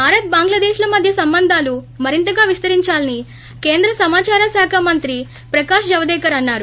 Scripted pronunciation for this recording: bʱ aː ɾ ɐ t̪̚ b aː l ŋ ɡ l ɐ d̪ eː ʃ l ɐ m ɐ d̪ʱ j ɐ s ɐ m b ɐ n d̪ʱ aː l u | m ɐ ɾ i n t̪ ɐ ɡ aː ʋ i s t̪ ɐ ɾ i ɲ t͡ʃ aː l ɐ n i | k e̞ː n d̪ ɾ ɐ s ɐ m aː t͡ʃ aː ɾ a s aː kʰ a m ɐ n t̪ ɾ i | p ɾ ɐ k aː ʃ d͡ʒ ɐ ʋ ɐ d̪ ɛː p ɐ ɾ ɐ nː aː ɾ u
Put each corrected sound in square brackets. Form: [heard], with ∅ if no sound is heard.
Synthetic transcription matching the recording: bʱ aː ɾ ɐ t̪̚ b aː [∅] ŋ ɡ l ɐ d̪ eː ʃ l ɐ m ɐ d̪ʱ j ɐ s ɐ m b ɐ n d̪ʱ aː l u | m ɐ ɾ i n t̪ ɐ ɡ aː ʋ i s t̪ ɐ ɾ i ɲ t͡ʃ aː l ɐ n i | k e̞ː n d̪ ɾ ɐ s ɐ m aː t͡ʃ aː ɾ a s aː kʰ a m ɐ n t̪ ɾ i | p ɾ ɐ k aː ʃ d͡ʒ ɐ ʋ ɐ d̪ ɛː [k] ɐ ɾ ɐ nː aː ɾ u